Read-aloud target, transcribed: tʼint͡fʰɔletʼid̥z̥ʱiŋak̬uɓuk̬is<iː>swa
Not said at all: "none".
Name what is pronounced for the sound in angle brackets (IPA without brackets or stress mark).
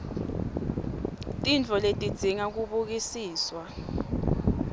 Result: iː